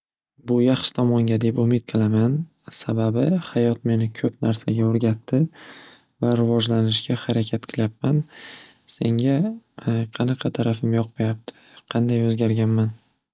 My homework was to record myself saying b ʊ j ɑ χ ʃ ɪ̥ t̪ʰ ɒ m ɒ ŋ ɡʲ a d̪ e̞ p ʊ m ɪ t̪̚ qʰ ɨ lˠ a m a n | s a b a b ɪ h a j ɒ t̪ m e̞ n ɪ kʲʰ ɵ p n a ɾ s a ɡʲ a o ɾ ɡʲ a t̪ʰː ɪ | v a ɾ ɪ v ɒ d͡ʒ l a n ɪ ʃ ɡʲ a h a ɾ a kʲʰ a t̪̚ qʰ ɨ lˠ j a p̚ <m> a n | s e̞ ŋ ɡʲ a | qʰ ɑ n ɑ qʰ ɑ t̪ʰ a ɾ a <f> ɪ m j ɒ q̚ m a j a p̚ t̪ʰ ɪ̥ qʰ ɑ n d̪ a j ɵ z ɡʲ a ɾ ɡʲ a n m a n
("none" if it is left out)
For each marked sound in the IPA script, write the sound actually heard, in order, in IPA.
m, f

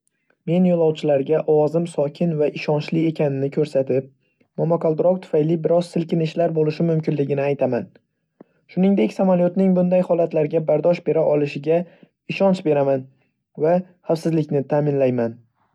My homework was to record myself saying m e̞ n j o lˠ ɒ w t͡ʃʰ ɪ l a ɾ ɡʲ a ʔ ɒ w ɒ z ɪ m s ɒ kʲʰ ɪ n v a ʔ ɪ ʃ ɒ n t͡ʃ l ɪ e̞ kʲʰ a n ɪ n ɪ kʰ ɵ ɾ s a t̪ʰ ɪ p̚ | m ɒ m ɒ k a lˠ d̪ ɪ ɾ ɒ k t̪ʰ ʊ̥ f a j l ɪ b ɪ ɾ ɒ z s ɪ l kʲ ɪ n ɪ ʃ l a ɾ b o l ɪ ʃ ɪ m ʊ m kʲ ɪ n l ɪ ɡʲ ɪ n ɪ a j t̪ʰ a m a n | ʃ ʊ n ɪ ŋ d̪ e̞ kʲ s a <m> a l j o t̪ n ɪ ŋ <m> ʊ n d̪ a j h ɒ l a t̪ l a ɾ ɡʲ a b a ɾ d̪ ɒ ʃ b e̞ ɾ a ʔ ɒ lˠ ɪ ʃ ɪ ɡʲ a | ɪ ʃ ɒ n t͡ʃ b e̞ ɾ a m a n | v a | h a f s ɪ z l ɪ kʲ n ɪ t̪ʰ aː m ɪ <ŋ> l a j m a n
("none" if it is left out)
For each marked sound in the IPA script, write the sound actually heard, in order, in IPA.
m, b, n

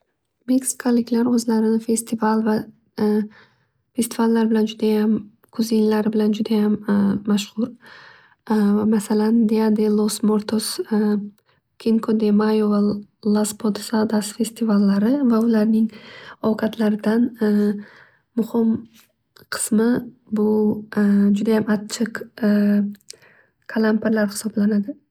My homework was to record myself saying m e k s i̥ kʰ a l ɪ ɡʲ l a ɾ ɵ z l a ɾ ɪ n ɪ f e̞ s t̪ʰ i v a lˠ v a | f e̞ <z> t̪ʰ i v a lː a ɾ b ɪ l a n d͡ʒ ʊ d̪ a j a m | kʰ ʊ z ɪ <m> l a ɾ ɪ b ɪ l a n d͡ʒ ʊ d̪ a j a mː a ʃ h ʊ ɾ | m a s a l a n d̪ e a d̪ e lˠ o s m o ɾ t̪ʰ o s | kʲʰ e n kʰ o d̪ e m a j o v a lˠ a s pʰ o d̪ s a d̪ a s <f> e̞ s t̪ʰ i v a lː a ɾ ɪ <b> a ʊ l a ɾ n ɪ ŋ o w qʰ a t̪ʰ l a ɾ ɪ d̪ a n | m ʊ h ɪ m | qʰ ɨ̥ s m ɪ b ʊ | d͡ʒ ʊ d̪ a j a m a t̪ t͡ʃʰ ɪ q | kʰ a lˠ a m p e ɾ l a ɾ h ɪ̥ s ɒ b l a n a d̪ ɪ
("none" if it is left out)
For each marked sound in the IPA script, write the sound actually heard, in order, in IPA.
s, n, f, v

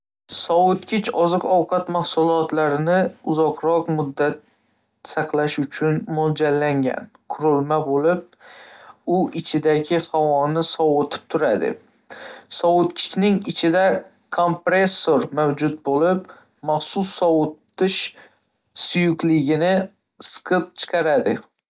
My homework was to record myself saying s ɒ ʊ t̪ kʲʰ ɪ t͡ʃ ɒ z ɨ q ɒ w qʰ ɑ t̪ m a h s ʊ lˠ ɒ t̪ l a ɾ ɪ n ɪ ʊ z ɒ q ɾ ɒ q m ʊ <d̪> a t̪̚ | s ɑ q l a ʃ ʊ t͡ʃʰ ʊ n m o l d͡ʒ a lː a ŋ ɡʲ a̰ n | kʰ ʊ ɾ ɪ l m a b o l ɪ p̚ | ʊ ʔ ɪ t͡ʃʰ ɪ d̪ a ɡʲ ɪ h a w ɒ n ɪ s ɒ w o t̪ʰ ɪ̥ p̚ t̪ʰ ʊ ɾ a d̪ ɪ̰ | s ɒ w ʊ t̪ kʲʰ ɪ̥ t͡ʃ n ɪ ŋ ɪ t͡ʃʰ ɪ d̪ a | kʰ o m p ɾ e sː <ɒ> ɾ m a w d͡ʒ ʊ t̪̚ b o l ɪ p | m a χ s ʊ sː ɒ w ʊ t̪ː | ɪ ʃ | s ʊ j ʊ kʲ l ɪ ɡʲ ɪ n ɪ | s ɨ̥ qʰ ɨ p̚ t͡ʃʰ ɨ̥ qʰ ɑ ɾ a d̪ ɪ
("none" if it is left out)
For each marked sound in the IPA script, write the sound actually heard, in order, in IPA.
d̪ː, o

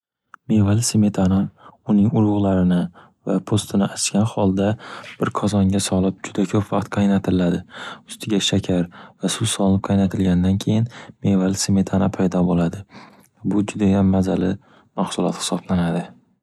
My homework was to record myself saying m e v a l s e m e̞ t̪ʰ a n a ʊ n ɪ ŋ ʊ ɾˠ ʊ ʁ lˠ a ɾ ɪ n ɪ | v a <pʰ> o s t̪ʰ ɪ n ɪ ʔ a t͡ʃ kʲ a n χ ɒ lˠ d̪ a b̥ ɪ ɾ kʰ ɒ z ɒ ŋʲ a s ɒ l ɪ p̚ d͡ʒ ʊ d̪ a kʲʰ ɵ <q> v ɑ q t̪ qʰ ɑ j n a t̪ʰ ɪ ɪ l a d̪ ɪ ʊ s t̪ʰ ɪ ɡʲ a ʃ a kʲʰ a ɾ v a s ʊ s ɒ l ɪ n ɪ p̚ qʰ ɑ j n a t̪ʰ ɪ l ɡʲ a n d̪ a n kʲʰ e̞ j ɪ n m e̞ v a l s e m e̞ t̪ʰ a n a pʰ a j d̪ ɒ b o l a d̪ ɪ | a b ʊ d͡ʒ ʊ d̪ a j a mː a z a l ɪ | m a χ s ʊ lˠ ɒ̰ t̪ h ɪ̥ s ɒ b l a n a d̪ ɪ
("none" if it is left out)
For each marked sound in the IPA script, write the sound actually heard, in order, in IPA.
pʰ, p

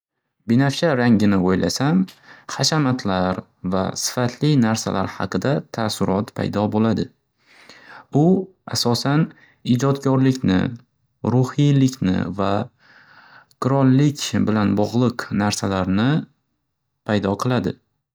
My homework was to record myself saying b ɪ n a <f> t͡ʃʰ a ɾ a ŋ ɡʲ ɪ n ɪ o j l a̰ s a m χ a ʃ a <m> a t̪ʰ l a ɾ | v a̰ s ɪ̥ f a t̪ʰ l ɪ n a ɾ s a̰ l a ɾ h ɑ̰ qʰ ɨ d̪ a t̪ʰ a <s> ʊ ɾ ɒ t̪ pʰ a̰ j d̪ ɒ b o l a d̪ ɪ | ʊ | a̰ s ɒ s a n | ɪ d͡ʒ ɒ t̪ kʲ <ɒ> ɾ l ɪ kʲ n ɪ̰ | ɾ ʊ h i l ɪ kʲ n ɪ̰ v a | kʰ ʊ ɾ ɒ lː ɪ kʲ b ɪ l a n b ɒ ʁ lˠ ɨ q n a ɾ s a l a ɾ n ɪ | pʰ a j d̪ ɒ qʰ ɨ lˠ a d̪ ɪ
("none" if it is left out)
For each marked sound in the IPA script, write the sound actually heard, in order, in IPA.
f, m, s, ɒ

